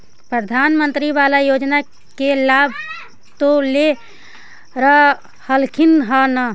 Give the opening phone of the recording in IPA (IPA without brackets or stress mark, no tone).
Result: p